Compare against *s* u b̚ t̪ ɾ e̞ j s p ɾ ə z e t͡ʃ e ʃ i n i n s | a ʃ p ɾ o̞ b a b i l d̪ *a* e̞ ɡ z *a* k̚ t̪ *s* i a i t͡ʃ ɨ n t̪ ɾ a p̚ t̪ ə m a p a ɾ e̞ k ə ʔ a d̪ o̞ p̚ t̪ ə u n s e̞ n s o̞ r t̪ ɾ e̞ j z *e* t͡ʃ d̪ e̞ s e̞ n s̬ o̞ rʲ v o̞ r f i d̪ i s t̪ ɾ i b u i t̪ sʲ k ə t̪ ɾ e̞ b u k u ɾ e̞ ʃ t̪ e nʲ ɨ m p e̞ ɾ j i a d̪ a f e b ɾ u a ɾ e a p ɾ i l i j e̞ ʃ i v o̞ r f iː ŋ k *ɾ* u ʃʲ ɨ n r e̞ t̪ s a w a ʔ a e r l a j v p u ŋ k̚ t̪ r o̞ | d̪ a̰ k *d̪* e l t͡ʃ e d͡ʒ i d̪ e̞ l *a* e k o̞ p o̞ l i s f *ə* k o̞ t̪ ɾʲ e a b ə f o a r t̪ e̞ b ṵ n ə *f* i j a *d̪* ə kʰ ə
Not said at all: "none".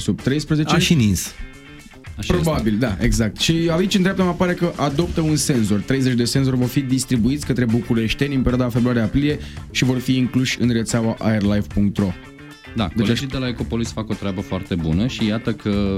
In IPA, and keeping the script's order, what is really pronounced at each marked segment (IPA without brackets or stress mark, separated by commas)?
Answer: s, a, a, ʃ, e, l, d̪, a, a, ʃ, t̪